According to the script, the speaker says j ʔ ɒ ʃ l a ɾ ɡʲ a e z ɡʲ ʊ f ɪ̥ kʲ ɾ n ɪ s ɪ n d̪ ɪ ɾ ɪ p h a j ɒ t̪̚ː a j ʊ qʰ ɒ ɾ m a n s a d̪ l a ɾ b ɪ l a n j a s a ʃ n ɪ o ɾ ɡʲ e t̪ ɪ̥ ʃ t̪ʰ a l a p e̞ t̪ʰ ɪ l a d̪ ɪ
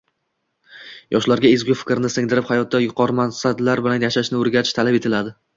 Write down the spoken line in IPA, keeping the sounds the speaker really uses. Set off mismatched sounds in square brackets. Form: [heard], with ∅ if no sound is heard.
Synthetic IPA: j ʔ ɒ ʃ l a ɾ ɡʲ a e z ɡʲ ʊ f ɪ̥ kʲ ɾ n ɪ s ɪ [ŋ] d̪ ɪ ɾ ɪ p h a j ɒ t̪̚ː a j ʊ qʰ ɒ ɾ m a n s a d̪ l a ɾ b ɪ l a n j a [ʃ] a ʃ n ɪ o ɾ ɡʲ [a] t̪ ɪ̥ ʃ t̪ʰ a l a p e̞ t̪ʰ ɪ l a d̪ ɪ